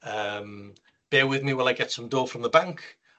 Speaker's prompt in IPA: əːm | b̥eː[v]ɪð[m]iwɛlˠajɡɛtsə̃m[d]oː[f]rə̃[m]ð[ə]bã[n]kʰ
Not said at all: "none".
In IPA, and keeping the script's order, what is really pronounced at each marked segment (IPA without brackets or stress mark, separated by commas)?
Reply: w, m, d, f, m, ə, ŋ